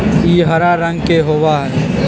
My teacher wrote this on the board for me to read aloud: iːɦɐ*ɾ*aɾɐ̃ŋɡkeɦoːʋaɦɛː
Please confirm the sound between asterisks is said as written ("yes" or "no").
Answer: yes